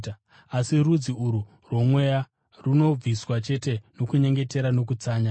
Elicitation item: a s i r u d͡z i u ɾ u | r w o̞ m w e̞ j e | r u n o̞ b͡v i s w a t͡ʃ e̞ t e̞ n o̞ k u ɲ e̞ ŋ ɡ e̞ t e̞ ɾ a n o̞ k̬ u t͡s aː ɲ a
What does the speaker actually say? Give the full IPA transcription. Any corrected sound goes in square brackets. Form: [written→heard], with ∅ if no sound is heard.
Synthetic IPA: a s i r u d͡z i u ɾ u | r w o̞ m w e̞ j [e→a] | r u n o̞ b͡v i s w a t͡ʃ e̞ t e̞ n o̞ k u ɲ e̞ ŋ ɡ e̞ t e̞ ɾ a n o̞ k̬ u t͡s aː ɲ a

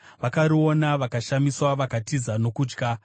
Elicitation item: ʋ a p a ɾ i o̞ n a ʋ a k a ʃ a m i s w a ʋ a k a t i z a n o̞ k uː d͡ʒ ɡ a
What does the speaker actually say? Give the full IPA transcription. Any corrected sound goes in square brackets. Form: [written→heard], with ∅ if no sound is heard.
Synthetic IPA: ʋ a [p→k] a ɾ i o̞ n a ʋ a k a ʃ a m i s w a ʋ a k a t i z a n o̞ k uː d͡ʒ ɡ a

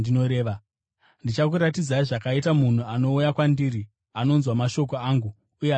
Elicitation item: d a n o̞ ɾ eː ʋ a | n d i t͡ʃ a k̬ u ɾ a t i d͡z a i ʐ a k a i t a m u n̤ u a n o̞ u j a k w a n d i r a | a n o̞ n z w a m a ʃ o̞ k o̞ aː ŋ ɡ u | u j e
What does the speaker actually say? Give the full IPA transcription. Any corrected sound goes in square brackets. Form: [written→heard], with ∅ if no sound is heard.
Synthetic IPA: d [a→i] n o̞ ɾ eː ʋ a | n d i t͡ʃ a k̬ u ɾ a t i d͡z a i ʐ a k a i t a m u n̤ u a n o̞ u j a k w a n d i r [a→i] | a n o̞ n z w a m a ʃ o̞ k o̞ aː ŋ ɡ u | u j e

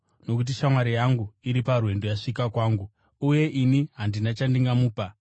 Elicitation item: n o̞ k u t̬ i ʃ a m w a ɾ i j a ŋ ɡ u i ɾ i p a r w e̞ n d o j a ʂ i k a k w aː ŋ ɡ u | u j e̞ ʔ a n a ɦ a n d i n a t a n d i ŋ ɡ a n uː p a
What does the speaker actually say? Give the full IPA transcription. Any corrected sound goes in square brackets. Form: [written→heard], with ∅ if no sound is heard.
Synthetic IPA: n o̞ k u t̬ i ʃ a m w a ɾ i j a ŋ ɡ u i ɾ i p a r w e̞ n d o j a ʂ i k a k w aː ŋ ɡ u | u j e̞ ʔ [a→i] n [a→i] ɦ a n d i n a [t→t͡ʃ] a n d i ŋ ɡ a [n→m] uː p a

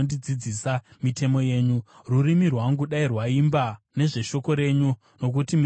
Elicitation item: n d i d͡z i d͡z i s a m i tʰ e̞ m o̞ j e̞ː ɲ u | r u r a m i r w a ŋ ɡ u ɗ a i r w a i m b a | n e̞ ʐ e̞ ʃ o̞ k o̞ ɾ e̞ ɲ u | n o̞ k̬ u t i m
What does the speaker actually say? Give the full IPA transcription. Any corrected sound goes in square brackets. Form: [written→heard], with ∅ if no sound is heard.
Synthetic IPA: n d i d͡z i d͡z i s a m i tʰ e̞ m o̞ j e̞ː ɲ u | r u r [a→i] m i r w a ŋ ɡ u ɗ a i r w a i m b a | n e̞ ʐ e̞ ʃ o̞ k o̞ ɾ e̞ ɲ u | n o̞ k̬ u t i m

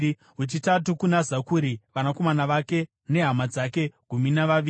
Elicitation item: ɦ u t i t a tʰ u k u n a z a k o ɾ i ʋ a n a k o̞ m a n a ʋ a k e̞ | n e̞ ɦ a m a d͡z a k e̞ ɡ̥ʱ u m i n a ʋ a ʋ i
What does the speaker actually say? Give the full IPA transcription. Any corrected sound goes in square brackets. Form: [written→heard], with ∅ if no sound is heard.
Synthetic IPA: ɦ u [t→t͡ʃ] i t a [tʰ→t] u k u n a z a k [o→u] ɾ i ʋ a n a k o̞ m a n a ʋ a k e̞ | n e̞ ɦ a m a d͡z a k e̞ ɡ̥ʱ u m i n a ʋ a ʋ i

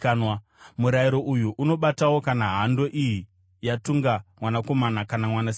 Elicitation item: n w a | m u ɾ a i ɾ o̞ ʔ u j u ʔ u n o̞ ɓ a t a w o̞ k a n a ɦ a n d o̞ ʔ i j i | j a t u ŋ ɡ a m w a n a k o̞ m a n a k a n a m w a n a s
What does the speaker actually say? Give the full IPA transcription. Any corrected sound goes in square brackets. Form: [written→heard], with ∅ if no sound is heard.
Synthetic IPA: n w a | m u ɾ a i ɾ o̞ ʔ u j u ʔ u n o̞ ɓ a t a w o̞ k a n a ɦ a n d o̞ ʔ i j i | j a t u ŋ ɡ a m w a n a k o̞ m a n a k a n a m w a n a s

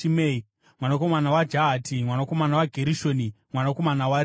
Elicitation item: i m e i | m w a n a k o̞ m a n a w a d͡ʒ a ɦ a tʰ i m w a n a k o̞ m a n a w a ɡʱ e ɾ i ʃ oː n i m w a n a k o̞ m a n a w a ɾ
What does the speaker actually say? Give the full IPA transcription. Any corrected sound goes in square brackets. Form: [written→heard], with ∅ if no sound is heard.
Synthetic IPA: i m e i | m w a n a k o̞ m a n a w a d͡ʒ a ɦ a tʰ i m w a n a k o̞ m a n a w a ɡʱ e ɾ i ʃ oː n i m w a n a k o̞ m a n a w a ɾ

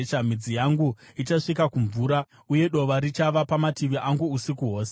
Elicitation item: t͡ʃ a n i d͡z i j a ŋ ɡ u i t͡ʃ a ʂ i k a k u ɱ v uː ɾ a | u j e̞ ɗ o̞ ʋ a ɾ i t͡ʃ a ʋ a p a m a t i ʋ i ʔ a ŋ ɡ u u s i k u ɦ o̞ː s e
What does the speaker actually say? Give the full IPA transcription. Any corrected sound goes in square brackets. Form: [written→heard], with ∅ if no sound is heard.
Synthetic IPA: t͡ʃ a [n→m] i d͡z i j a ŋ ɡ u i t͡ʃ a ʂ i k a k u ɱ v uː ɾ a | u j e̞ ɗ o̞ ʋ a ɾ i t͡ʃ a ʋ a p a m a t i ʋ i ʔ a ŋ ɡ u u s i k u ɦ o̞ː s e

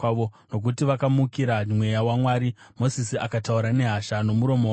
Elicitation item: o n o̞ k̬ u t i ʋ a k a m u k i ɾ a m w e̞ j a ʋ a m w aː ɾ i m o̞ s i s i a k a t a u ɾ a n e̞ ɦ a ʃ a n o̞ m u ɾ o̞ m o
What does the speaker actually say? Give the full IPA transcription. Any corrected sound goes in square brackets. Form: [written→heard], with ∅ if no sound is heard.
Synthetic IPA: o n o̞ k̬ u t i ʋ a k a m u k i ɾ a m w e̞ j a [ʋ→w] a m w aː ɾ i m o̞ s i s i a k a t a u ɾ a n e̞ ɦ a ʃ a n o̞ m u ɾ o̞ m o

